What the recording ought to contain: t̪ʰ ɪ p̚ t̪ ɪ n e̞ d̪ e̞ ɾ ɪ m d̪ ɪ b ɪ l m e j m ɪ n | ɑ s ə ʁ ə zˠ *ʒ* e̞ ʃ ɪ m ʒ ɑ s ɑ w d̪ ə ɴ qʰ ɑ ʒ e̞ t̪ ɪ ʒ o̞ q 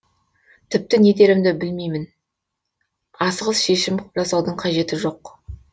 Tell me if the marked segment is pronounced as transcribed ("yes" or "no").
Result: no